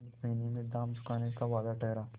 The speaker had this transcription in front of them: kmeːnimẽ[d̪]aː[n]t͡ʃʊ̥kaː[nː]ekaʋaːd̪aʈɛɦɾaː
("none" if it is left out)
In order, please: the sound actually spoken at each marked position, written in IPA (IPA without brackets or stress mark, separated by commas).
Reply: d̪, m, n